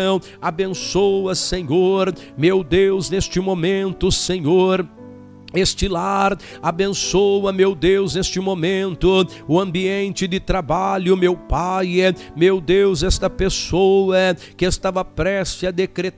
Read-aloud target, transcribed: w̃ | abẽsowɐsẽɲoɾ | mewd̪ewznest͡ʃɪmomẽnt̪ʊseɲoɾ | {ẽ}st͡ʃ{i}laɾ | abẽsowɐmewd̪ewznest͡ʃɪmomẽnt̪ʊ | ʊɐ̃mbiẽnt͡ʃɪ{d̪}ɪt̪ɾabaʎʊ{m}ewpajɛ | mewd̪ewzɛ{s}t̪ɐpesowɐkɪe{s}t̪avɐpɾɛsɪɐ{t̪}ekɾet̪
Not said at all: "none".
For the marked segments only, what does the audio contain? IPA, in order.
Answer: e, ɪ, d̪, m, s, s, d̪

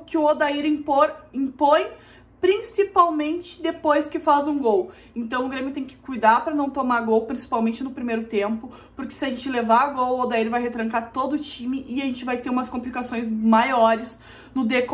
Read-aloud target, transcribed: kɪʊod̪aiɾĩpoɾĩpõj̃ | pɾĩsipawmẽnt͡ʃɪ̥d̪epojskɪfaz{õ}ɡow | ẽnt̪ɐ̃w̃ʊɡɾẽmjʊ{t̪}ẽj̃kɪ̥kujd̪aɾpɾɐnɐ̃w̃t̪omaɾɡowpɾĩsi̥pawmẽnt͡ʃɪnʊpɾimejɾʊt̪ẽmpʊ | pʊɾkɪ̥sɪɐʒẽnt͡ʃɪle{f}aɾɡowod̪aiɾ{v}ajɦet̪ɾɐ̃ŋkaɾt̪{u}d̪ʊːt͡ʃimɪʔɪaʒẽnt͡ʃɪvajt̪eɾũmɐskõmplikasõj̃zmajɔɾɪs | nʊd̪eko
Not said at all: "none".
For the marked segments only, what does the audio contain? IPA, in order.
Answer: ũ, t̪, v, v, o

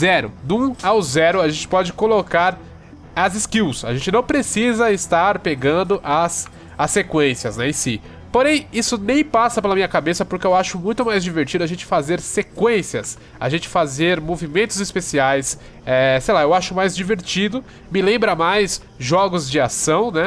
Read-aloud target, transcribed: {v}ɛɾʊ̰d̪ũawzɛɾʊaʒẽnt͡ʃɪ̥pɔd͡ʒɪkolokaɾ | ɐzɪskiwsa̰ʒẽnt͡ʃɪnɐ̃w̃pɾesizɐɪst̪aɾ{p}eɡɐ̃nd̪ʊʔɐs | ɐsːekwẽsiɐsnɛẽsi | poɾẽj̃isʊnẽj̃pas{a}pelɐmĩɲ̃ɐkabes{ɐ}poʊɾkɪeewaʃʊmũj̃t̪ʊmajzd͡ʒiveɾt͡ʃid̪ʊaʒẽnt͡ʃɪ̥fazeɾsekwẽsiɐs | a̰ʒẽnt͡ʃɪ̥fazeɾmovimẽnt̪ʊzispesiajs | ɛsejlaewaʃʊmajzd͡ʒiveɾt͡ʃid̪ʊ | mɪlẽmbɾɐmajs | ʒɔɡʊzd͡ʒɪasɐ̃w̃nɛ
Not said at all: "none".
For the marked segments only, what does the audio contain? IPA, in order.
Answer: z, p, ɐ, ɐ

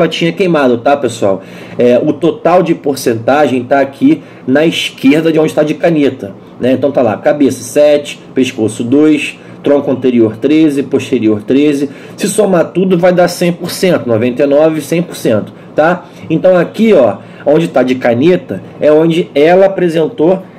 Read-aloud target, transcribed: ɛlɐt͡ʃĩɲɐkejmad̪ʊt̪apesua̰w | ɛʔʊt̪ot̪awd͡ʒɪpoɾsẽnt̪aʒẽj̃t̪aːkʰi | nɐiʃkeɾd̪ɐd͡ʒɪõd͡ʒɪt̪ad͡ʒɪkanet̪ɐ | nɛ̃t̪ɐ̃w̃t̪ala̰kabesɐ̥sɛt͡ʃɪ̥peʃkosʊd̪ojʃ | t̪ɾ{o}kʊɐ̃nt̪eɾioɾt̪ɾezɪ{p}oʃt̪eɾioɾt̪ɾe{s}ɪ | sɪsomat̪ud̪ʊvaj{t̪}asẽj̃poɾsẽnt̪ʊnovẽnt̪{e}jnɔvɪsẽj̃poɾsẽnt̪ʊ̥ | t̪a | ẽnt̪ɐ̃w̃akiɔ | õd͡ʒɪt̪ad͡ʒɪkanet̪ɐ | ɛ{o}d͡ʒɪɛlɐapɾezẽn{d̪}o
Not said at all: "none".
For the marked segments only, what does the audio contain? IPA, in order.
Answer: õ, p, z, d̪, e, õ, t̪

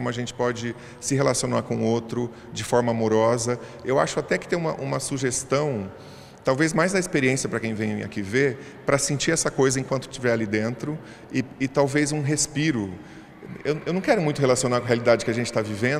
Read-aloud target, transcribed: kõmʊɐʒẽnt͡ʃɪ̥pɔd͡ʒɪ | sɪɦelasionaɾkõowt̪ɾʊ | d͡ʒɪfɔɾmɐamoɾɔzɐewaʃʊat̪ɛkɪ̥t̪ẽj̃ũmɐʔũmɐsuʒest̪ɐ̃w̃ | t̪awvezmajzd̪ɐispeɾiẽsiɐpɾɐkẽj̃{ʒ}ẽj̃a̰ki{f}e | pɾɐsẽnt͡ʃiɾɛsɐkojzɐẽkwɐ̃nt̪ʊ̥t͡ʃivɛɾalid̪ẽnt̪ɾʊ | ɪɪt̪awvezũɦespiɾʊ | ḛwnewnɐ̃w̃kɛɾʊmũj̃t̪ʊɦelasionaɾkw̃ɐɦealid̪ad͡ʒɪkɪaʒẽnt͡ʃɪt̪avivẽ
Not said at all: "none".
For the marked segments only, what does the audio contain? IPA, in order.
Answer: v, v

